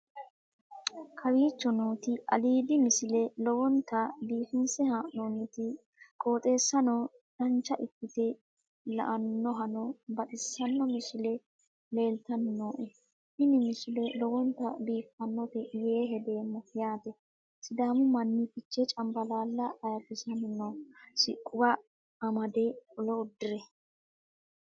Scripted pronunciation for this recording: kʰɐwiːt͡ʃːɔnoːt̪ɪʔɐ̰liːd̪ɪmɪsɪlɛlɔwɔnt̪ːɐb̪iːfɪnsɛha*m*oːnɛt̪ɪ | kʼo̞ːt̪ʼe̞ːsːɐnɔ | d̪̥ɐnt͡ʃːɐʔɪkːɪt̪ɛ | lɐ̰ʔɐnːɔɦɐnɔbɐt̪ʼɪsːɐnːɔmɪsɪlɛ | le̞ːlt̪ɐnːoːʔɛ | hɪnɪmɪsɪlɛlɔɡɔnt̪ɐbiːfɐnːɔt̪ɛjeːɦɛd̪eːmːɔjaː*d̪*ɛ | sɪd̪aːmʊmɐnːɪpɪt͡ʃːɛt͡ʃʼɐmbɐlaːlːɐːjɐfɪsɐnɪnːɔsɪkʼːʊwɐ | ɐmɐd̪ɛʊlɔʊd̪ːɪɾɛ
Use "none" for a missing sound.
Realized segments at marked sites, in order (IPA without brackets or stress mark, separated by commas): n, t̪